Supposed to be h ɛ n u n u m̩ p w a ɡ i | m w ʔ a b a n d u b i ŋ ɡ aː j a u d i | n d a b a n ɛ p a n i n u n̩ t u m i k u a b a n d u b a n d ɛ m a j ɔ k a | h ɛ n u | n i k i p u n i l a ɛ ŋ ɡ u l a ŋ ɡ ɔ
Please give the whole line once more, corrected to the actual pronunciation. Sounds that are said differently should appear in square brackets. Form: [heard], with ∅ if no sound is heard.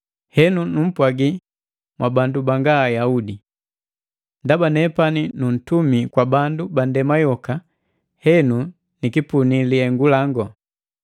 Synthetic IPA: h ɛ n u n u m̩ p w a ɡ i | m w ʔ a b a n d u b [a] ŋ ɡ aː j a u d i | n d a b a n ɛ p a n i n u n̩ t u m i k [w] a b a n d u b a n d ɛ m a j ɔ k a | h ɛ n u | n i k i p u n i l [i] ɛ ŋ ɡ u l a ŋ ɡ ɔ